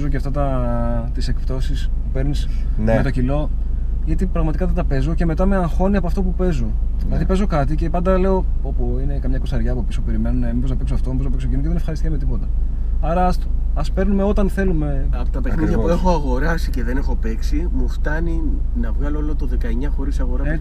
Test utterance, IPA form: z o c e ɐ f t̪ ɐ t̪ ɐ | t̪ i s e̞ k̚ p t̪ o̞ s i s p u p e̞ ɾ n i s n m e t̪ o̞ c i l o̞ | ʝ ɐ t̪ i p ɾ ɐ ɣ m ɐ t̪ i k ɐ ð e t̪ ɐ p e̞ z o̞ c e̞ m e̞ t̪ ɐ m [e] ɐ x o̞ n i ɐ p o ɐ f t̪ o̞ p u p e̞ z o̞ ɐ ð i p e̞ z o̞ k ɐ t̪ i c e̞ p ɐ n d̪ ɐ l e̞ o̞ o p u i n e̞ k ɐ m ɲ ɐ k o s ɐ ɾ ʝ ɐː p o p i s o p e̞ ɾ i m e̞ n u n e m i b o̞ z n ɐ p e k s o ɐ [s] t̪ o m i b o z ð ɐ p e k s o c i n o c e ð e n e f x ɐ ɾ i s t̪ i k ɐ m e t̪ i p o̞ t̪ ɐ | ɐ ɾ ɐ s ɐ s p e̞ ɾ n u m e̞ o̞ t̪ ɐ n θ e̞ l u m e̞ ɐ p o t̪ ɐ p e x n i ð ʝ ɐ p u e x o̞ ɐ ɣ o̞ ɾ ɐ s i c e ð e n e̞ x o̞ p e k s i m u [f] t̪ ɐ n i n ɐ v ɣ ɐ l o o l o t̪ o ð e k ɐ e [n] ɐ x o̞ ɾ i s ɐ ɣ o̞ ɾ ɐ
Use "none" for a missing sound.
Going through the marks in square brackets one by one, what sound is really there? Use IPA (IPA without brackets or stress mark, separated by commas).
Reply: e, f, f, ɲ